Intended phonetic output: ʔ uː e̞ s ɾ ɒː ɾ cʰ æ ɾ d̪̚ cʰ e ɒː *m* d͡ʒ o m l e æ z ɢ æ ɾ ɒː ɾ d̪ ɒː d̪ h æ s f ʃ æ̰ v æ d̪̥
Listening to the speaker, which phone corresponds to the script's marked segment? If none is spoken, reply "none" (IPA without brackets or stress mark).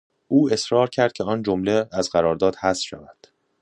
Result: n